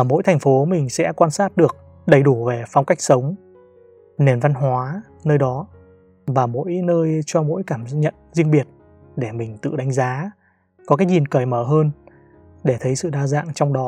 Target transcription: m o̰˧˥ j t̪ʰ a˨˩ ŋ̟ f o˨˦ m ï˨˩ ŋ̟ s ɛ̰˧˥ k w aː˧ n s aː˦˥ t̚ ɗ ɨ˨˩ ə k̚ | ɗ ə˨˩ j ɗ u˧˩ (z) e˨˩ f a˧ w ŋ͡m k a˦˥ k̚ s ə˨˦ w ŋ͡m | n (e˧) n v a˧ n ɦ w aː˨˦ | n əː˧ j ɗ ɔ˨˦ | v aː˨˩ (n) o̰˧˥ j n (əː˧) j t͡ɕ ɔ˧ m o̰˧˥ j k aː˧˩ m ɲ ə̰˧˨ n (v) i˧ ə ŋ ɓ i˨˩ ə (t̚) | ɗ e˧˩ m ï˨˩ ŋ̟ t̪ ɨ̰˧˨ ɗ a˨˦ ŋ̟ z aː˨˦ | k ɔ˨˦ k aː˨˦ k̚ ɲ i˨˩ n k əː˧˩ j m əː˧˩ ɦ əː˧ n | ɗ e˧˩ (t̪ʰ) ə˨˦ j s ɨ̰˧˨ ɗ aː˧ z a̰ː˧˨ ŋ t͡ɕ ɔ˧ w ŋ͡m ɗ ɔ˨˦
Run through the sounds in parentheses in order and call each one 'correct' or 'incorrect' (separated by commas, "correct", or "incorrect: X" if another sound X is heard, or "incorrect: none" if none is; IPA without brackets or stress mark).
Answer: incorrect: v, incorrect: e˨˩, incorrect: m, correct, incorrect: z, correct, correct